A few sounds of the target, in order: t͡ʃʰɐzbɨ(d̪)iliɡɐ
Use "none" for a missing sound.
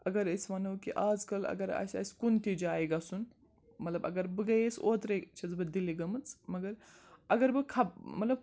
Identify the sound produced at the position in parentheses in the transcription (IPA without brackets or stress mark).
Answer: d̪